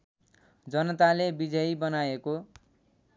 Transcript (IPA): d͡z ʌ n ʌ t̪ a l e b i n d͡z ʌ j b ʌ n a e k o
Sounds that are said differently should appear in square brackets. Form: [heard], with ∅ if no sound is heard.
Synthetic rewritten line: d͡z ʌ n ʌ t̪ a l e b i [∅] d͡z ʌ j b ʌ n a e k o

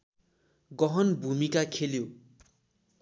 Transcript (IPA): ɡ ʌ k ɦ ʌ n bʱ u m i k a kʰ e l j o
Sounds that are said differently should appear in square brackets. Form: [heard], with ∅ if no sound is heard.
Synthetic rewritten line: ɡ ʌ [∅] ɦ ʌ n bʱ u m i k a kʰ e l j o

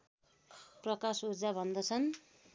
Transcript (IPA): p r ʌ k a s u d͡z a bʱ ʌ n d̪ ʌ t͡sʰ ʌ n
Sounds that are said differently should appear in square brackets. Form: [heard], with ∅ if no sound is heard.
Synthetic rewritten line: p r ʌ k a s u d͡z a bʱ ʌ n d̪ ʌ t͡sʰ ʌ n

